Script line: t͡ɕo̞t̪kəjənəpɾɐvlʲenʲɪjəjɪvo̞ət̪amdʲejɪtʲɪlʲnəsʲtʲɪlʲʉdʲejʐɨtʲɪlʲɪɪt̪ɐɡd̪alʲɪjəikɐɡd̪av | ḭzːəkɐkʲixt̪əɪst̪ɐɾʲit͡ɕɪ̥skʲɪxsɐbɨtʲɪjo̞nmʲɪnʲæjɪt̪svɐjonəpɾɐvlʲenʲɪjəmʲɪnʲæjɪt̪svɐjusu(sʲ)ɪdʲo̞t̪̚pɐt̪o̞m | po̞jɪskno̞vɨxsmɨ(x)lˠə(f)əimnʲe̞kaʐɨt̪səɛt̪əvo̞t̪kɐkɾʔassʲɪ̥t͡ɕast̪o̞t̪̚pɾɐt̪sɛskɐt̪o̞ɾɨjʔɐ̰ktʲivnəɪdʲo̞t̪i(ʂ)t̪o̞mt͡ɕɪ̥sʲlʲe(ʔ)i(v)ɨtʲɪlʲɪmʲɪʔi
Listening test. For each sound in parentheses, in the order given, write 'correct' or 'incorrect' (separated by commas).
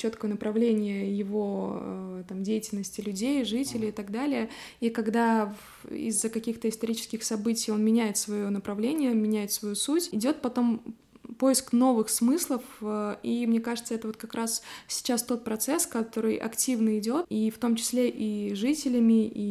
incorrect, incorrect, correct, incorrect, correct, incorrect